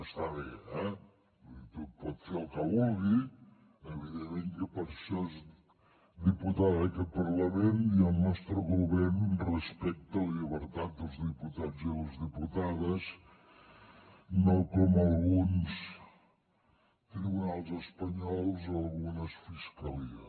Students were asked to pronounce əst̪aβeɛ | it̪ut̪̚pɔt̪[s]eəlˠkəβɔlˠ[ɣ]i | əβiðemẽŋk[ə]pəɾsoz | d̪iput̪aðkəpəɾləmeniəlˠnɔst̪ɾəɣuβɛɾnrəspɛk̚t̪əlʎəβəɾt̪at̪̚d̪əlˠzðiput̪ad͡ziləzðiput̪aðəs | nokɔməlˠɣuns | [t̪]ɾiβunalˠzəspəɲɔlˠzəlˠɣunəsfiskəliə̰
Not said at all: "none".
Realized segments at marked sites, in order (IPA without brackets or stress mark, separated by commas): f, ɣ, ə, t̪